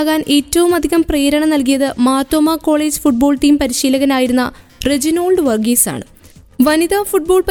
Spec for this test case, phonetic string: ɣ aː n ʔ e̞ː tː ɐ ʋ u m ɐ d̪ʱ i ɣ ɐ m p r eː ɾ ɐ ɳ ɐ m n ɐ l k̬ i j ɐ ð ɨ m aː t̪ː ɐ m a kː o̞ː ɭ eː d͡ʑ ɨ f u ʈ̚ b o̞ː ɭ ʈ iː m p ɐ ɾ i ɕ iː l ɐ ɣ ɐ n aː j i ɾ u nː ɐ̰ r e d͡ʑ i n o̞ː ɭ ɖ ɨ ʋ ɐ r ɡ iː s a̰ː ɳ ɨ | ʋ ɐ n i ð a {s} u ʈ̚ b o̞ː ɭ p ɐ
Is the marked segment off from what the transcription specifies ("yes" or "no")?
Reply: yes